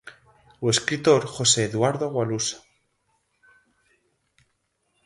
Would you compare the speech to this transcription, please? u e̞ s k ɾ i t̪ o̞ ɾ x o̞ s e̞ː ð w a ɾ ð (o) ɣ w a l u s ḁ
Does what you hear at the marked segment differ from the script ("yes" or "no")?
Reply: no